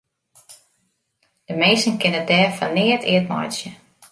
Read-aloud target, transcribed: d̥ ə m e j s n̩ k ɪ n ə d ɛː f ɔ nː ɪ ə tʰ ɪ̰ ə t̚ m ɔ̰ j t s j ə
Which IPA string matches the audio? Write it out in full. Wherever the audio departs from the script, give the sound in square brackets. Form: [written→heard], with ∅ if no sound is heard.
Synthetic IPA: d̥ ə m e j s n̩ k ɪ n ə d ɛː f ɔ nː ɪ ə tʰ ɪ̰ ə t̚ m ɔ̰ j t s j ə